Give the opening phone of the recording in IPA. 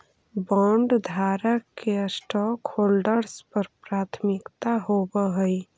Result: b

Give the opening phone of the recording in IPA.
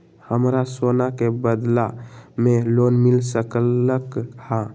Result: h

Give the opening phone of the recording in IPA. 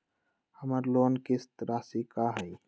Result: h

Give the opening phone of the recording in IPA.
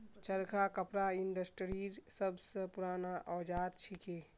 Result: t͡ʃ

